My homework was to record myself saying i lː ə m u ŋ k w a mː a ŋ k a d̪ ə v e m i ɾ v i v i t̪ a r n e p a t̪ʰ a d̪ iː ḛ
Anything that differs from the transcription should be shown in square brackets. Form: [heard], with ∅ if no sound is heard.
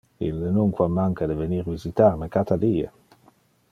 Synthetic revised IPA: i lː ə [n] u ŋ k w a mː a ŋ k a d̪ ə v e [n] i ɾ v i [z] i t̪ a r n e [k] a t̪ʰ a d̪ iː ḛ